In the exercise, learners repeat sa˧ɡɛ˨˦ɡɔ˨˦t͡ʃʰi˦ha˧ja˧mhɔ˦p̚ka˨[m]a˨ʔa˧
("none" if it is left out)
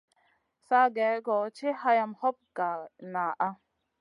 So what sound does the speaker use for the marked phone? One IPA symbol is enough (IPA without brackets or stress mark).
n